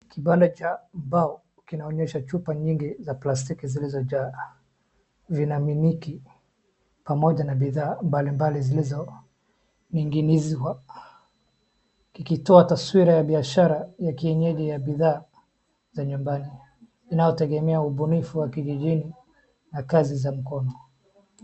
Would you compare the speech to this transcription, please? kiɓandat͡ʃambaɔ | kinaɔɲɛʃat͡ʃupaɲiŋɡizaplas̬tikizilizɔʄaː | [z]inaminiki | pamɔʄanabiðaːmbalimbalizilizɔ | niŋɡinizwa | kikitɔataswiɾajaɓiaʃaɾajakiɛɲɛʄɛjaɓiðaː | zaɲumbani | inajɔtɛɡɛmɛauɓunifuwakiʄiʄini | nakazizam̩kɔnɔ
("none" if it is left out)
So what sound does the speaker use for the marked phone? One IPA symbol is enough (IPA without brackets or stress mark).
v